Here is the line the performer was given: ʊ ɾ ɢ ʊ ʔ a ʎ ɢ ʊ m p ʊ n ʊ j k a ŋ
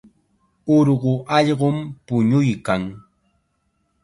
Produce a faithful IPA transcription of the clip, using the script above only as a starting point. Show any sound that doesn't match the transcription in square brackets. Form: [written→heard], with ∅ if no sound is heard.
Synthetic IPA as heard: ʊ ɾ ɢ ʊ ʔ [a→ɑ] ʎ ɢ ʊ m p ʊ [n→ɲ] ʊ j k a ŋ